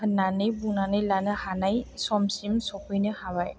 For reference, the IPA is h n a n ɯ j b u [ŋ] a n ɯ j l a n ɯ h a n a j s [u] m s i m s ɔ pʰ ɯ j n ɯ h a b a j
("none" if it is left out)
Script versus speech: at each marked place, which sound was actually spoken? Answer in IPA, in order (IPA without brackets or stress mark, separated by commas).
n, ɔ